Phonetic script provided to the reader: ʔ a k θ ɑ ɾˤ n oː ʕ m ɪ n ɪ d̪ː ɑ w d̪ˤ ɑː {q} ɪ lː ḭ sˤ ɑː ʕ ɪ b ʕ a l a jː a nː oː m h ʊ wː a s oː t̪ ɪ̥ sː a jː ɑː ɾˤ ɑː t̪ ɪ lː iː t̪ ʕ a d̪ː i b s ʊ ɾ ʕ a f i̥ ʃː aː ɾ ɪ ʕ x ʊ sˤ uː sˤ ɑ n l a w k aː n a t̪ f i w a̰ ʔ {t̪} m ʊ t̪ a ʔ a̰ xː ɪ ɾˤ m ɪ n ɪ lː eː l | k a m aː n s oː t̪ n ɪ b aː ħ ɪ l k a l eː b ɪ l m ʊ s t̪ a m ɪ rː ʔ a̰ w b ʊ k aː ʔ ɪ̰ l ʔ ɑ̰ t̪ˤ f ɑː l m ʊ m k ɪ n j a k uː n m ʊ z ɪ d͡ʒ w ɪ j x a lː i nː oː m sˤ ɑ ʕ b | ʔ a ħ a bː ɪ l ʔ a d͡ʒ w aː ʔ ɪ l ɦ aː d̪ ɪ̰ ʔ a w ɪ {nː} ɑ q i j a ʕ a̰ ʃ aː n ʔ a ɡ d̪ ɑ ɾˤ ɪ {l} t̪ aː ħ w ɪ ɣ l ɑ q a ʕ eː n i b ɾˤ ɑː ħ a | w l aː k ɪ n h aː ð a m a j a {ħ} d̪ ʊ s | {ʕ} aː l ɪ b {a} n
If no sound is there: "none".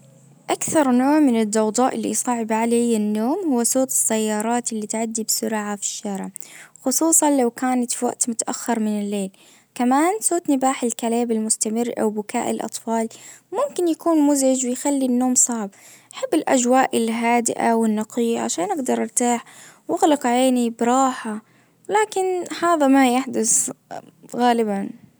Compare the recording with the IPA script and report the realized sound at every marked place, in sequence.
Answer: ʔ, t̪, nː, ɾ, ħ, ɣ, a

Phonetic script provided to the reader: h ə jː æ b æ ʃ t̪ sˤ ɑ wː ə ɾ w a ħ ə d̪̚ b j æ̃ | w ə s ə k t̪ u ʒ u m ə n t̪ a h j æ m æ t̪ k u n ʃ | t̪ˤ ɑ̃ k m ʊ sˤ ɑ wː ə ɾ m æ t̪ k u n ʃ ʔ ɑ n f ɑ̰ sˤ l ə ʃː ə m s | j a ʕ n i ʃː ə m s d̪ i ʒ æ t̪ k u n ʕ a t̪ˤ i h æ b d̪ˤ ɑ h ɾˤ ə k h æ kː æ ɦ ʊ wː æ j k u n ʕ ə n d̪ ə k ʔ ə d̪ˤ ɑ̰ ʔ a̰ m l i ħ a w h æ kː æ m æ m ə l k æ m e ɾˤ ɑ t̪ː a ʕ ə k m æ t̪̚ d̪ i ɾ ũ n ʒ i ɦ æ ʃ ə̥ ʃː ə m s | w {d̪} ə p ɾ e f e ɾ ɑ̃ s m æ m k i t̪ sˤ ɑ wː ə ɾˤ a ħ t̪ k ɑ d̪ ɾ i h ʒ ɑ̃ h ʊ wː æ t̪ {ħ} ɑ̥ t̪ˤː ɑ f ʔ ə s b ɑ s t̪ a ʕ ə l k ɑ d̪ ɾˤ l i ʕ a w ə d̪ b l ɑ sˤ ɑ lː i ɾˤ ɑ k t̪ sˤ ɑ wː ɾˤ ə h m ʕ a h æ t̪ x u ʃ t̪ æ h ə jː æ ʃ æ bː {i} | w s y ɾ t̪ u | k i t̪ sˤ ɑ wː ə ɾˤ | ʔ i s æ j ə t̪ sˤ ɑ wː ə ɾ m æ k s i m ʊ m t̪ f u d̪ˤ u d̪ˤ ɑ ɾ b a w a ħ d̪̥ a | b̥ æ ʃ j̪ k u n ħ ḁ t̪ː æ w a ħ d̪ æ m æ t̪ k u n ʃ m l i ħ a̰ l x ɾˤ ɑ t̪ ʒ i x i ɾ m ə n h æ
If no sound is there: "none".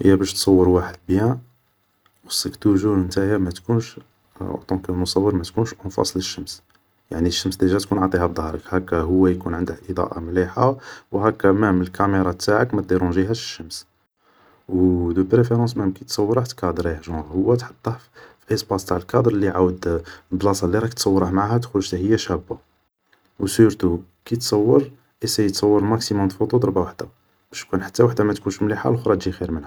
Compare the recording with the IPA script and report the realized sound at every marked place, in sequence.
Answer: d̪, ħ, a

